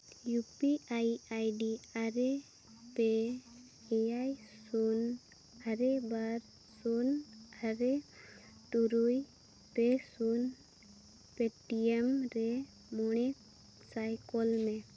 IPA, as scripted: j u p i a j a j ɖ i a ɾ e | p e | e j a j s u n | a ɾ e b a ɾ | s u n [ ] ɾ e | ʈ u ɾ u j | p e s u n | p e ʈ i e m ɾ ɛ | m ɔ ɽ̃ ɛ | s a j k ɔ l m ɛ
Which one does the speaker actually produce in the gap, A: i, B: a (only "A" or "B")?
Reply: B